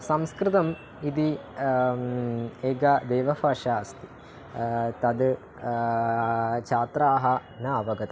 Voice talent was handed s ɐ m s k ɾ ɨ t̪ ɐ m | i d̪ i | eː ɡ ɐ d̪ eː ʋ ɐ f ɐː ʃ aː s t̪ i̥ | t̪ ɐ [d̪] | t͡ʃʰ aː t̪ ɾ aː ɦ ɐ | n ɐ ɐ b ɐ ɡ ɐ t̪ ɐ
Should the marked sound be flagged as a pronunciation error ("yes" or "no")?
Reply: no